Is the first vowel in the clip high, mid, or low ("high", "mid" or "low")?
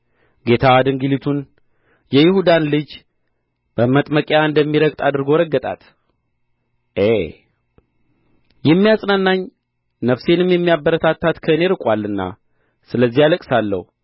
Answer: mid